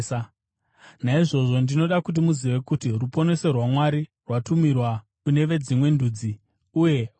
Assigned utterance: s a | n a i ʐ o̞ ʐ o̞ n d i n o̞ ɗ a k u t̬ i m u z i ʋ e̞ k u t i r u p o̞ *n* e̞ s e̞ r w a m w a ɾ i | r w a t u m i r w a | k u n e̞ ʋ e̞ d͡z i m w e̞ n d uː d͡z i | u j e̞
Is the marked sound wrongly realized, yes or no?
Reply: no